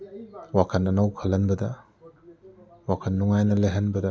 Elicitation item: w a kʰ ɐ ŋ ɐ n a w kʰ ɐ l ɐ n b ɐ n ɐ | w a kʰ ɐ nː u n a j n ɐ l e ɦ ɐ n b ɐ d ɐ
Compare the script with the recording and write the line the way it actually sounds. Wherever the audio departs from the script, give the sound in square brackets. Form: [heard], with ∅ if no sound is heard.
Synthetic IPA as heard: w a kʰ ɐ [n] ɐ n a w kʰ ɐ l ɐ n b ɐ [d] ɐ | w a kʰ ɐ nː u [ŋ] a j n ɐ l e ɦ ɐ n b ɐ d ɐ

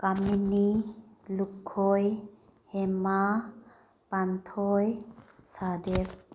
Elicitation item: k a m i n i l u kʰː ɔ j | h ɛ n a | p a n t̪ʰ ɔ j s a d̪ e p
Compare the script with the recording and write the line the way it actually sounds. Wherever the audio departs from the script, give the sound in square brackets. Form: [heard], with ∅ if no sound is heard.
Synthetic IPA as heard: k a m i n i l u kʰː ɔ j | h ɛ [m] a | p a n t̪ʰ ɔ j s a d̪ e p

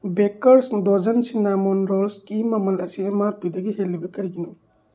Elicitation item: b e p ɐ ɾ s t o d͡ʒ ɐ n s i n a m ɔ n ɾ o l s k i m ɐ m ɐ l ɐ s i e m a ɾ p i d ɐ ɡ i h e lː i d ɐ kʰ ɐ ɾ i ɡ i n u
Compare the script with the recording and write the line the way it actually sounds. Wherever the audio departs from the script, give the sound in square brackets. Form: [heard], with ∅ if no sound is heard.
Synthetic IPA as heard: b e [k] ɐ ɾ s [d] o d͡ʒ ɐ n s i n a m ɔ n ɾ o l s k i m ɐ m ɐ l ɐ s i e m a ɾ p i d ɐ ɡ i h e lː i [b] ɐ [k] ɐ ɾ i ɡ i n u

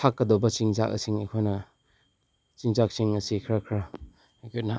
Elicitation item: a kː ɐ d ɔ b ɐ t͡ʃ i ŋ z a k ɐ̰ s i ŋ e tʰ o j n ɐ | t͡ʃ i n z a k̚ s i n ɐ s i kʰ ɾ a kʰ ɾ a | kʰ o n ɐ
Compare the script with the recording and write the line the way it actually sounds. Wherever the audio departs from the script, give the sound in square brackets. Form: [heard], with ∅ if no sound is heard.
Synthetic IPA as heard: a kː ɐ d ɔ b ɐ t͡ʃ i ŋ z a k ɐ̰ s i ŋ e [kʰ] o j n ɐ | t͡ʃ i [ŋ] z a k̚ s i [ŋ] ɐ s i kʰ ɾ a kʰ ɾ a | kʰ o n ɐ

